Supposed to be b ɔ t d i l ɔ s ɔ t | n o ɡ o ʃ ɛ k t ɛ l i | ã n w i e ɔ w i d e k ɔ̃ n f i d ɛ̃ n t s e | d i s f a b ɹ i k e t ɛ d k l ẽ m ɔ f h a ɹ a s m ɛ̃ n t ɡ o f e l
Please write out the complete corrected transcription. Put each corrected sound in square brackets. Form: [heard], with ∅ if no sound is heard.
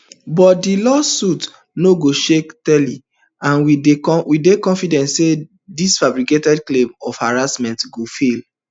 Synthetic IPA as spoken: b ɔ t d i l ɔ s [u] t | n o ɡ o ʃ [e] k t ɛ l i | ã n w i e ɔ w i d e k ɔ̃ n f i d ɛ̃ n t s e | d i s f a b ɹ i k e t ɛ d k l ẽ m ɔ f h a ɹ a s m ɛ̃ n t ɡ o f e l